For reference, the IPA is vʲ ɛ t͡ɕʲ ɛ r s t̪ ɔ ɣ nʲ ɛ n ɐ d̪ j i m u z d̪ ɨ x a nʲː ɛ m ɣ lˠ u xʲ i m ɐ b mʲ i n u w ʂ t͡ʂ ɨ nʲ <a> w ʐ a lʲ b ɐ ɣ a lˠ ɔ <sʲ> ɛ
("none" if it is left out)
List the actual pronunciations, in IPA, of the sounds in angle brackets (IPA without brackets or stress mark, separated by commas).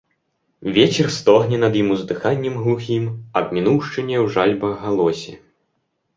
ɛ, sʲ